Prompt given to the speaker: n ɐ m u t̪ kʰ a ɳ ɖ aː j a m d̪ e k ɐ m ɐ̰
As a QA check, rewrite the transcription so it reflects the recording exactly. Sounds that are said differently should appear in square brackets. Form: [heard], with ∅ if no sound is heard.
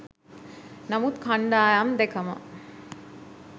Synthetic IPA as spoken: n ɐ m u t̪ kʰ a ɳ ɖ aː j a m d̪ e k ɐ m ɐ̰